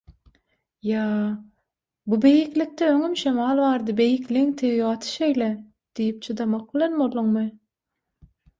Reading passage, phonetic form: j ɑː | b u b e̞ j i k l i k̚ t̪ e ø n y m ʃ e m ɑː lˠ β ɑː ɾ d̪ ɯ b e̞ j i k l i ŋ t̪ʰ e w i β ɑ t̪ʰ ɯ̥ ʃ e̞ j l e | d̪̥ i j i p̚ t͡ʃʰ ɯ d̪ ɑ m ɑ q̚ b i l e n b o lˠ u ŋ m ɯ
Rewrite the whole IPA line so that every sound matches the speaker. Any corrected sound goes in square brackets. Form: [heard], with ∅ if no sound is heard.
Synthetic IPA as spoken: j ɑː | b u b e̞ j i k l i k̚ t̪ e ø [ŋ] y m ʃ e m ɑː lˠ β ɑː ɾ d̪ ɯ b e̞ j i k l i ŋ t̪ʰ e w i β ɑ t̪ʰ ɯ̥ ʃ e̞ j l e | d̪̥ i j i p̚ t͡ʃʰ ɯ d̪ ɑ m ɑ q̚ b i l e n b o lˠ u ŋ m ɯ